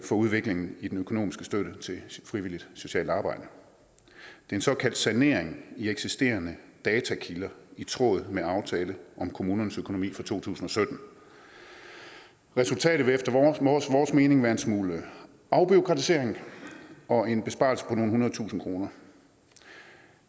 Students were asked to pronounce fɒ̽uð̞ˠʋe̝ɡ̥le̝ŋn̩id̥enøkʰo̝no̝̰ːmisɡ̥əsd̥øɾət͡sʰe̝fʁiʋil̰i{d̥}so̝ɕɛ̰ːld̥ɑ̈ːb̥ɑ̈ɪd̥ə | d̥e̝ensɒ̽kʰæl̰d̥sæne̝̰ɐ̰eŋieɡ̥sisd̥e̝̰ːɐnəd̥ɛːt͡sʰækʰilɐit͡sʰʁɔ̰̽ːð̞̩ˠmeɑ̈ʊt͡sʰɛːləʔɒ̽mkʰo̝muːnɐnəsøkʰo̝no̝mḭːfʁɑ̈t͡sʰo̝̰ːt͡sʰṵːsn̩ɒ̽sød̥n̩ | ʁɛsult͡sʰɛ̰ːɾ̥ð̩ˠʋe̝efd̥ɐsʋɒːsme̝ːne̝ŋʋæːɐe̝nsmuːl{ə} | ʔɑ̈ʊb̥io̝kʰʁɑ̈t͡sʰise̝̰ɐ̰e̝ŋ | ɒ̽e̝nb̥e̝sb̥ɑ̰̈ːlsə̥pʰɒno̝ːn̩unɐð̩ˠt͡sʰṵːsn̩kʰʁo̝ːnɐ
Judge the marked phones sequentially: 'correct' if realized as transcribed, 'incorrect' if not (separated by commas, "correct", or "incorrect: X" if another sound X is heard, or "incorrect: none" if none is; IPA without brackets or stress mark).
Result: correct, correct